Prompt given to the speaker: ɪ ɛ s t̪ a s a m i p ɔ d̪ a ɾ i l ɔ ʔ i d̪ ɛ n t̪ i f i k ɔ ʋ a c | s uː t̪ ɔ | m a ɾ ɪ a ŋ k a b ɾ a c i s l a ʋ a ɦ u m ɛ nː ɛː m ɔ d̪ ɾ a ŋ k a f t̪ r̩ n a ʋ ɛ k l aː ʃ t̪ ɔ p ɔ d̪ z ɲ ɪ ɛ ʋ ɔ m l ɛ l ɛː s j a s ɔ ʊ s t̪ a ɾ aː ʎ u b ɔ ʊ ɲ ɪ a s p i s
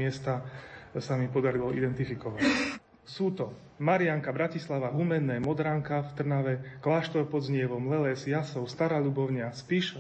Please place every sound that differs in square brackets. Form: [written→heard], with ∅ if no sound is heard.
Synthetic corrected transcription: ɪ ɛ s t̪ a s a m i p ɔ d̪ a ɾ i l ɔ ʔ i d̪ ɛ n t̪ i f i k ɔ ʋ a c | s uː t̪ ɔ | m a ɾ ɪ a ŋ k a b ɾ a c i s l a ʋ a ɦ u m ɛ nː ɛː m ɔ d̪ ɾ a ŋ k a f t̪ r̩ n a ʋ ɛ k l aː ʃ t̪ ɔ p ɔ d̪ z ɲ ɪ ɛ ʋ ɔ m l ɛ l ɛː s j a s ɔ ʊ s t̪ a ɾ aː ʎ u b ɔ ʊ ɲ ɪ a s p i [s→ʃ]